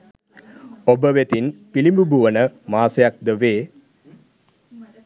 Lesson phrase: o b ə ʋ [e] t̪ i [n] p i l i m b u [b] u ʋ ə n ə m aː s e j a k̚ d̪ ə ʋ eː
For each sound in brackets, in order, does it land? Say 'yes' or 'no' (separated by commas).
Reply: yes, yes, yes